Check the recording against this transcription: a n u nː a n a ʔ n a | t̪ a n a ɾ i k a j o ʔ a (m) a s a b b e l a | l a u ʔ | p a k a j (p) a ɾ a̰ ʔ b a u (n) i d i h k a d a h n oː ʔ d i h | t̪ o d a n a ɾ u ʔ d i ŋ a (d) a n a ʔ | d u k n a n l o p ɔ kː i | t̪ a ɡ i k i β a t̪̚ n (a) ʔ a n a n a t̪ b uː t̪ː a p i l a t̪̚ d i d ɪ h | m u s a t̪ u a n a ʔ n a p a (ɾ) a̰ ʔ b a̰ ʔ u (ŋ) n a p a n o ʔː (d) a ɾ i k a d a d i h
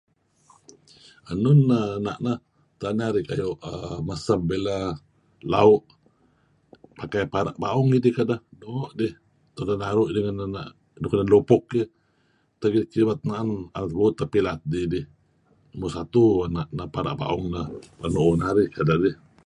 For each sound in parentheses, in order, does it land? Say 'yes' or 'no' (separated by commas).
yes, yes, no, no, yes, yes, yes, no